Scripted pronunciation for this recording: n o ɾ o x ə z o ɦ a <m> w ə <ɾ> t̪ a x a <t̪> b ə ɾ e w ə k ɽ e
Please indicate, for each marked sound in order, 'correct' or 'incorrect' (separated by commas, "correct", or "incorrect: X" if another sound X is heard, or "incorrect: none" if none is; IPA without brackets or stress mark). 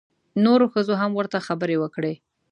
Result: correct, correct, incorrect: none